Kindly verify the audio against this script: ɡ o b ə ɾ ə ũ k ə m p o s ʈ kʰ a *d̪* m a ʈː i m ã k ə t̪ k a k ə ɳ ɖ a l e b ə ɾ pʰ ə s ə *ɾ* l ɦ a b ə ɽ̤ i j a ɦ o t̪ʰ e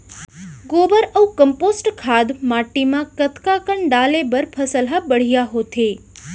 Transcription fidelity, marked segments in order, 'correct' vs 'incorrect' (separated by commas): correct, incorrect